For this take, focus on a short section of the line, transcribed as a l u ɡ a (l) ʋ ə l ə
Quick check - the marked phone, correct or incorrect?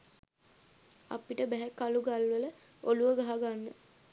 correct